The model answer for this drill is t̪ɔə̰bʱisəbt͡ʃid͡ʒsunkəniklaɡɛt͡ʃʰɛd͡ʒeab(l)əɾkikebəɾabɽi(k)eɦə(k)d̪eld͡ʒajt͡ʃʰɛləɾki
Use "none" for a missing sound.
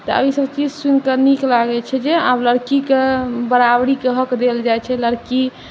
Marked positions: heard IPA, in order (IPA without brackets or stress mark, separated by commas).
l, k, k